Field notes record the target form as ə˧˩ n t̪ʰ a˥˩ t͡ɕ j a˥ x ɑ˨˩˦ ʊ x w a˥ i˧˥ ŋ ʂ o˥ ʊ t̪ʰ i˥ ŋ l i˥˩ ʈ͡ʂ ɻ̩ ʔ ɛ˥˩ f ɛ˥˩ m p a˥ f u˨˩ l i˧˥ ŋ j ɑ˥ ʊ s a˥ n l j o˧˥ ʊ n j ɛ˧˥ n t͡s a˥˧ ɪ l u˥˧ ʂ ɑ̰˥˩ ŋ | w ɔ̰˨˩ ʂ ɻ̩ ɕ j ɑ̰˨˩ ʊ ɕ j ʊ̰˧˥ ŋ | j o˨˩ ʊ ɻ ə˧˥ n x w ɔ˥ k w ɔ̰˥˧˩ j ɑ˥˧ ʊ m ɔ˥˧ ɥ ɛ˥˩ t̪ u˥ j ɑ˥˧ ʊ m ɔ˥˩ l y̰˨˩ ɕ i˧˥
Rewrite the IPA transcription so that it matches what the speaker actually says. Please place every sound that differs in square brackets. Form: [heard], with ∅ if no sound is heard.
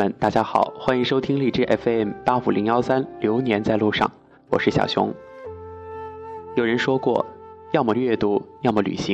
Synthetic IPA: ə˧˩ n [t̪] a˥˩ t͡ɕ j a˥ x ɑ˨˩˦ ʊ x w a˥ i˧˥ ŋ ʂ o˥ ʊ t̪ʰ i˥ ŋ l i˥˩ ʈ͡ʂ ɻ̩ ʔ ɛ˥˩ f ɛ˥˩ m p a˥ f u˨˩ l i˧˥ ŋ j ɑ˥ ʊ s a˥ n l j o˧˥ ʊ n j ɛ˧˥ n t͡s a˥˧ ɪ l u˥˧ ʂ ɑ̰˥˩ ŋ | w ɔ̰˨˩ ʂ ɻ̩ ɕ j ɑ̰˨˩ ʊ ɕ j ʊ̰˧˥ ŋ | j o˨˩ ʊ ɻ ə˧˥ n [ʂ] w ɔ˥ k w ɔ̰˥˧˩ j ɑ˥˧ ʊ m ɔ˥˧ ɥ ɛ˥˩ t̪ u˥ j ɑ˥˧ ʊ m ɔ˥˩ l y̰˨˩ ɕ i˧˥